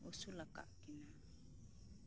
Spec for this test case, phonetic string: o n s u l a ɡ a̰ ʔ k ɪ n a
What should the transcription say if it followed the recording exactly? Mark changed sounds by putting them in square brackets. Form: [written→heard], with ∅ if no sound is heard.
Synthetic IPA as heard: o [n→∅] s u l a [ɡ→k] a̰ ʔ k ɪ n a